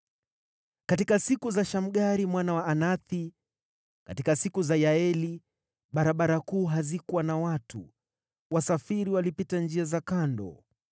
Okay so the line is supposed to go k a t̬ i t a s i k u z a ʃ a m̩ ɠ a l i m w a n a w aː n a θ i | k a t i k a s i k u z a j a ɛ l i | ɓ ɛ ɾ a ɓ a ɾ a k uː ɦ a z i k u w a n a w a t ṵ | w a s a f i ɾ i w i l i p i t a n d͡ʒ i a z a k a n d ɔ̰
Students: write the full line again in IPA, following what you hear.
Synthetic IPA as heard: k a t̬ i k a s i k u z a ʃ a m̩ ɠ a ɾ i m w a n a w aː n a θ i | k a t i k a s i k u z a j a ɛ l i | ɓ a ɾ a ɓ a ɾ a k uː ɦ a z i k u w a n a w a t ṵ | w a s a f i ɾ i w a l i p i t a n d͡ʒ i a z a k a n d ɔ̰